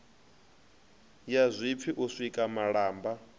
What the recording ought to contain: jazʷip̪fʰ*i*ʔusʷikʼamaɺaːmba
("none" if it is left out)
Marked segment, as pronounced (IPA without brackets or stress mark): i